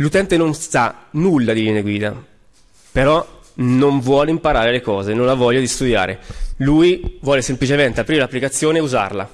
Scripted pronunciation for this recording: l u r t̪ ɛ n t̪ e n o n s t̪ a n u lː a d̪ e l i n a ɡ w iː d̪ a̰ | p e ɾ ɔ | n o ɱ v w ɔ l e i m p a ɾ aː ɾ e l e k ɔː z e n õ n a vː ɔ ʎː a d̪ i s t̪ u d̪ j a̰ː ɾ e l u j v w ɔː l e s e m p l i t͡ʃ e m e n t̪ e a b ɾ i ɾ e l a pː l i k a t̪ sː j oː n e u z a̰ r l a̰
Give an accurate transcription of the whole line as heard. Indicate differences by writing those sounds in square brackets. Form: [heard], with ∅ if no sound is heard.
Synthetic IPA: l u [∅] t̪ ɛ n t̪ e n o n s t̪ a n u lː a d̪ [i] l i n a ɡ w iː d̪ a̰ | p e ɾ ɔ | n o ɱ v w [ɔː] l e i m p a ɾ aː ɾ e l e k ɔː z e n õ n a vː ɔ ʎː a d̪ i s t̪ u d̪ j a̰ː ɾ e l u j v w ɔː l e s e m p l i t͡ʃ e m e n t̪ e a [p] ɾ i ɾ e l a pː l i k a t̪ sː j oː n e u z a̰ r l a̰